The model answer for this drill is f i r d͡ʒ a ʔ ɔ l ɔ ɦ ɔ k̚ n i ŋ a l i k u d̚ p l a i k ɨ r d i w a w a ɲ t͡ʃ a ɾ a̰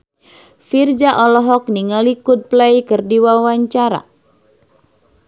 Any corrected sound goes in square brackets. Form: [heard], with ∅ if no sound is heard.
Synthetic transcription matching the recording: f i r d͡ʒ a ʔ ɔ l ɔ ɦ ɔ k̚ n i ŋ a l i k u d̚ p l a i k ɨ r d i w a w a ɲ t͡ʃ a ɾ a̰